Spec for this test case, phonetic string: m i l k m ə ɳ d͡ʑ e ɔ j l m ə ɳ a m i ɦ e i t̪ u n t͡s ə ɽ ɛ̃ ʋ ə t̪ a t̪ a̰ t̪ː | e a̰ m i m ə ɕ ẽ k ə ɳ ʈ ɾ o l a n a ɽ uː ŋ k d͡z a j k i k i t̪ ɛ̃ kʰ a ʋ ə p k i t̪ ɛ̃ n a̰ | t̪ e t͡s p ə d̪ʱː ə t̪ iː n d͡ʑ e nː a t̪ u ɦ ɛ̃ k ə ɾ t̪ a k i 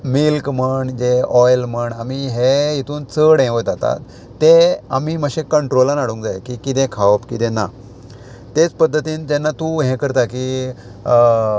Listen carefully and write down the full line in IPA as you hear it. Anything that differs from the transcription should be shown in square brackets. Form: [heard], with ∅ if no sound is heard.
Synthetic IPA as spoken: m i l k m ə ɳ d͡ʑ e ɔ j l m ə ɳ a m i ɦ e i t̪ [uː] n t͡s ə ɽ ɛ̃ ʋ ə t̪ a t̪ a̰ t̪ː | e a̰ m i m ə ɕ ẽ k ə ɳ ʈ ɾ o l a n a ɽ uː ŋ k d͡z a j k i k i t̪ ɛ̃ kʰ a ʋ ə p k i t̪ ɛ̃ n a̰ | t̪ e t͡s p ə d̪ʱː ə t̪ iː n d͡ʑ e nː a t̪ u ɦ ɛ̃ k ə ɾ t̪ a k i